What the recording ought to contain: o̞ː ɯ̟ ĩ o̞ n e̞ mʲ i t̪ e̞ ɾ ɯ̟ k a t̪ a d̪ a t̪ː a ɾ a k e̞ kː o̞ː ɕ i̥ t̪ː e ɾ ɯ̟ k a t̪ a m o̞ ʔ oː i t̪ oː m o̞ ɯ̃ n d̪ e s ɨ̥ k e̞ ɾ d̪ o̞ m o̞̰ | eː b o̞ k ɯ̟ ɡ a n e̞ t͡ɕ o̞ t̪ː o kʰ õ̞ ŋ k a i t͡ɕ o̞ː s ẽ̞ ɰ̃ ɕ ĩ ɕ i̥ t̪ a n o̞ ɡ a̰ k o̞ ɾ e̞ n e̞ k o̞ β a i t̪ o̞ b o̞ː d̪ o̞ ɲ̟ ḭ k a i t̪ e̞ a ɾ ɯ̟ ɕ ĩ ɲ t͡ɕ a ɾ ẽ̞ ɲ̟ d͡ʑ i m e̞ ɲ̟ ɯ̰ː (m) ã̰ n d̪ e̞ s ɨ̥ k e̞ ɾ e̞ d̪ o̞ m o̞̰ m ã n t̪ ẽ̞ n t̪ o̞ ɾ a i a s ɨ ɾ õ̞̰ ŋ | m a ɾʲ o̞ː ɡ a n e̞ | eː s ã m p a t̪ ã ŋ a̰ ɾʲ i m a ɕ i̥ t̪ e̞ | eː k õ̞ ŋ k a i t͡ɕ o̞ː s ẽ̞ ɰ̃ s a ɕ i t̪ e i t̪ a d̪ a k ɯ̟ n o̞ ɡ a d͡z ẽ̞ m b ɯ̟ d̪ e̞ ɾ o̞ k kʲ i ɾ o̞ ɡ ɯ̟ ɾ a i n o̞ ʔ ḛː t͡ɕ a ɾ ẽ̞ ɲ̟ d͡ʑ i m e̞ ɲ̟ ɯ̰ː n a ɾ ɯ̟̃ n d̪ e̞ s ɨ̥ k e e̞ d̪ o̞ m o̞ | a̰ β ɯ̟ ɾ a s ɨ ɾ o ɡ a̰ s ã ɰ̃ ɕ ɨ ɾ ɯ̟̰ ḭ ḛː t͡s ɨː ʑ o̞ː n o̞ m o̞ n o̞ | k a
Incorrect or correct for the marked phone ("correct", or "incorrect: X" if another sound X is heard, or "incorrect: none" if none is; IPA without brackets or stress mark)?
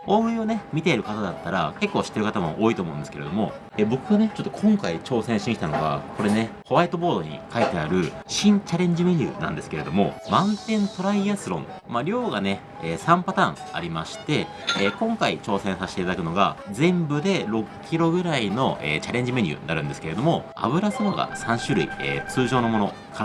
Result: incorrect: n